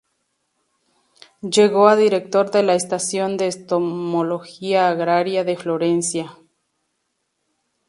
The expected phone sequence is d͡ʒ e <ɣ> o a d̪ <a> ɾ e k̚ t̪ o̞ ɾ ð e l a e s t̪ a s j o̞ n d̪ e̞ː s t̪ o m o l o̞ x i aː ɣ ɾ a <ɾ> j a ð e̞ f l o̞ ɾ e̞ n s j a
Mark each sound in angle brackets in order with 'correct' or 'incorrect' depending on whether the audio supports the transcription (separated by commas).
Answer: correct, incorrect, correct